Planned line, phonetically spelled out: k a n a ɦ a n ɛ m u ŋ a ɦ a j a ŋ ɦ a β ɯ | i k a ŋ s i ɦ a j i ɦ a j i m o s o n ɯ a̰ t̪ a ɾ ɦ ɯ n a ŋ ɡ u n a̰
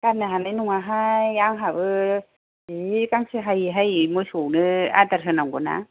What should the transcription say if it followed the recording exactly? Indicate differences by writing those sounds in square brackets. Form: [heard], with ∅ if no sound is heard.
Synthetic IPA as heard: k a n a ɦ a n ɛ [n] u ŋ a ɦ a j a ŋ ɦ a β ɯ | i k a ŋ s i ɦ a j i ɦ a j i m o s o n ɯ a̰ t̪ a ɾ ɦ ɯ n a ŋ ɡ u n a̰